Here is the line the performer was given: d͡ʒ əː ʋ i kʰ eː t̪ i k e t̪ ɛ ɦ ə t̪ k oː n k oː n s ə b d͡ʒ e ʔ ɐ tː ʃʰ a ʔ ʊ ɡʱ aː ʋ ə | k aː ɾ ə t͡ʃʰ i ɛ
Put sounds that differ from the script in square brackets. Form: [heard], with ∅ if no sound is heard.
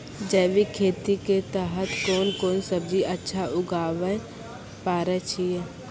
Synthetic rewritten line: d͡ʒ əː ʋ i kʰ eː t̪ i k e t̪ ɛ ɦ ə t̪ k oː n k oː n s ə b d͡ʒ [i] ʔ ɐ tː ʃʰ a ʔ ʊ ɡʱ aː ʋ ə | [p] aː ɾ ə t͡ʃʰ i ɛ